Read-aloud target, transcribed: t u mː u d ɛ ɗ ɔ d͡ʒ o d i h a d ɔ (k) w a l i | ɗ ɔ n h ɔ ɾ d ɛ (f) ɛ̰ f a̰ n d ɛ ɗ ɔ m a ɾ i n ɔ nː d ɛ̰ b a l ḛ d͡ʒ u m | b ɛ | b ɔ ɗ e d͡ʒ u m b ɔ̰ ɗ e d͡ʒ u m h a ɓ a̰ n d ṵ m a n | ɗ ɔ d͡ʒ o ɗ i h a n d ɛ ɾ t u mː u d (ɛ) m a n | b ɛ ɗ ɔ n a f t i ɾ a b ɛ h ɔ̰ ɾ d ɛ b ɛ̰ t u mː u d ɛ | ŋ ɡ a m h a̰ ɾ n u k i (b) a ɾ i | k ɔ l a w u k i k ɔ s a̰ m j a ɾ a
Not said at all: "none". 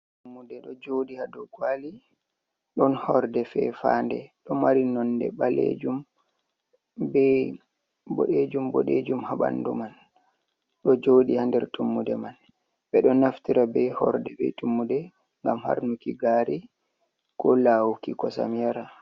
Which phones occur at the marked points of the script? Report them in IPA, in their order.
ɡ, f, ɛ, ɡ

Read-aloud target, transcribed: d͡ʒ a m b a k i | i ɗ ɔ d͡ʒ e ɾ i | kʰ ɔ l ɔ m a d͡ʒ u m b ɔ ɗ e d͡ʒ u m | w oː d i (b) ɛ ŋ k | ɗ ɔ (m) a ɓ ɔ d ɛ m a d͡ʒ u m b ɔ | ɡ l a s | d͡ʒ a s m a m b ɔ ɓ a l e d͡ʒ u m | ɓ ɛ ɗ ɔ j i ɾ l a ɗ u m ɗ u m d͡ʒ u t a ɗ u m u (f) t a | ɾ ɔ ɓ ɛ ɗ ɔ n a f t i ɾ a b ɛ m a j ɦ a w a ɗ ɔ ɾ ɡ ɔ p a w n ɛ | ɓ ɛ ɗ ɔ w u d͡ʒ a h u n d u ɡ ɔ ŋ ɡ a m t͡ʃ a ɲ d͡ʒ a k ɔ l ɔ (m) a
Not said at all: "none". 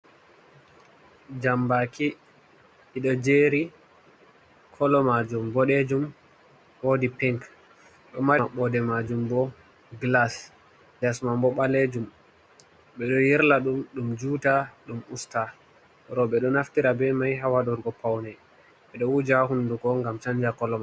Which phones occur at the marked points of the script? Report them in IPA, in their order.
p, m, s, m

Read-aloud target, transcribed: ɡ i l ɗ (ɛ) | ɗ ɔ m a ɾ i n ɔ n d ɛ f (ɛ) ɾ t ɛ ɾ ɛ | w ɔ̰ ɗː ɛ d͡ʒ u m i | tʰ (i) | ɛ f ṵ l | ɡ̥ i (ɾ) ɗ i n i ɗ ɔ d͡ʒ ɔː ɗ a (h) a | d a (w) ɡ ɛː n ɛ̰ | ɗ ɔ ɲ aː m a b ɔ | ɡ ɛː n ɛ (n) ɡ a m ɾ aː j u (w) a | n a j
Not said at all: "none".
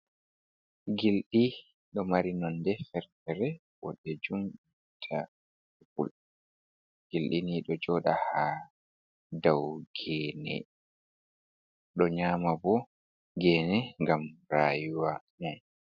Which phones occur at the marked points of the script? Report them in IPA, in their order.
i, ɛ, a, l, h, w, ŋ, w

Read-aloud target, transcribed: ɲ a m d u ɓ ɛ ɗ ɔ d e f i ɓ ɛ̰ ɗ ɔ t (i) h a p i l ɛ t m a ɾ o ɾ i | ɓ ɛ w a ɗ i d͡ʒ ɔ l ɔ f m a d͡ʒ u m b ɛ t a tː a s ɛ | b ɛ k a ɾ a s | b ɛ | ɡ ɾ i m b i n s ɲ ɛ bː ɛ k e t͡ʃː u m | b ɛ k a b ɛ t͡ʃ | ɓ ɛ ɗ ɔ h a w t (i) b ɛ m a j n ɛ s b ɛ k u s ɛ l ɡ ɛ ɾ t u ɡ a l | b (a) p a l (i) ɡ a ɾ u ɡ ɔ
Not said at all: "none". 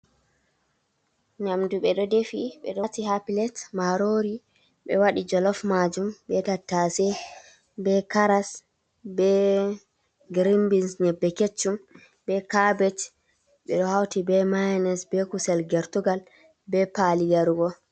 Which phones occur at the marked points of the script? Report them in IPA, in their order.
i, i, ɛ, i

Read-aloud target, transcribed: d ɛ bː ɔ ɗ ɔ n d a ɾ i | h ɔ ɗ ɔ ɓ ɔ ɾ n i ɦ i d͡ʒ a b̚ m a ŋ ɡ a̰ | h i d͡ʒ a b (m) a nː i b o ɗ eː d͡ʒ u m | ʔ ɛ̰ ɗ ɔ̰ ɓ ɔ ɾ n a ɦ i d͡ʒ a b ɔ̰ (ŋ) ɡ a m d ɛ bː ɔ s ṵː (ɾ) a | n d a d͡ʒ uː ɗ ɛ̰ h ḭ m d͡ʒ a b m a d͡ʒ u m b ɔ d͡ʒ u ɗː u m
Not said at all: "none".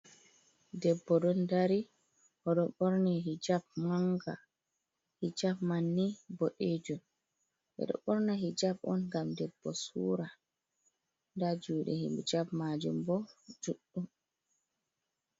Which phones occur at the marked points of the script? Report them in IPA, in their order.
m, n, ɾ

